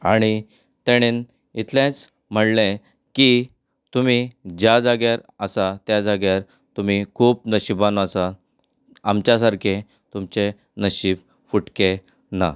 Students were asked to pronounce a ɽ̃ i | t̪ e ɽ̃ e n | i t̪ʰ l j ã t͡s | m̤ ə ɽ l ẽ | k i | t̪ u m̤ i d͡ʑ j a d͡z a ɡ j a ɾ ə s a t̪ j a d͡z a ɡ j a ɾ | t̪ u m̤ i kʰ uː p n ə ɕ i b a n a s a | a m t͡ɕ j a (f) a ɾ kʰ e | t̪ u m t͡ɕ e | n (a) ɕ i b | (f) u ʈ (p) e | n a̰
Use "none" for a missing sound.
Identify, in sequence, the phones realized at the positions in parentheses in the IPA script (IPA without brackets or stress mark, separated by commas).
s, ə, f, k